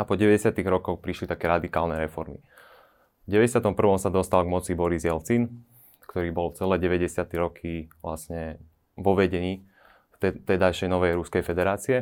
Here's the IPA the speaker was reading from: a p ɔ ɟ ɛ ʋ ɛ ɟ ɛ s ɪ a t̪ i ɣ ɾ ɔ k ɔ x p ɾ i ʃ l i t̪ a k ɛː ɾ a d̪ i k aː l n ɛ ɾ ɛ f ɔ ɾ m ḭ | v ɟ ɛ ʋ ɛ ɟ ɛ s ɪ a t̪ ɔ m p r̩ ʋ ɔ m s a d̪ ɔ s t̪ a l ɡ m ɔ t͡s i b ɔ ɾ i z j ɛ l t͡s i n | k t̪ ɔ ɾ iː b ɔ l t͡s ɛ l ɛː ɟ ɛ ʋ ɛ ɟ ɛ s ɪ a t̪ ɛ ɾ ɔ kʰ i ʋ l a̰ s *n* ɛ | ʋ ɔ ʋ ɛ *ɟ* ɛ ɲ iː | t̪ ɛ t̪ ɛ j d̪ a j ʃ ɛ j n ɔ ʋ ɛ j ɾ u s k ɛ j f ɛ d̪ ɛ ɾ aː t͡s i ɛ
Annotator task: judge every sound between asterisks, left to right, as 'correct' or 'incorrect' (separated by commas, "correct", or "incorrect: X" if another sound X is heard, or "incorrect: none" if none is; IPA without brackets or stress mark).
incorrect: ɲ, correct